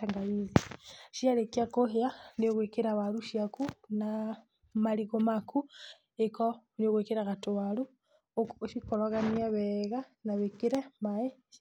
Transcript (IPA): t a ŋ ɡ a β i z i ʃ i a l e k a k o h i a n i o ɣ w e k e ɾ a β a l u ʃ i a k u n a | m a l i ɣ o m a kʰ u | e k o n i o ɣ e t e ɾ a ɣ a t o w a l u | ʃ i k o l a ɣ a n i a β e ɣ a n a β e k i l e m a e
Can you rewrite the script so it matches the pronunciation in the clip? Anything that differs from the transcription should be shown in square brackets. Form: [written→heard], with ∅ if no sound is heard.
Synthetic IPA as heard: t a ŋ ɡ a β i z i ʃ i a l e k a k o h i a n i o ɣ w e k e ɾ a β a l u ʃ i a k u n a | m a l i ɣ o m a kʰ u | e k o n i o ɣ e [t→k] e ɾ a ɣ a t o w a l u | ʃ i k o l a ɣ a n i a β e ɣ a n a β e k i [l→ɾ] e m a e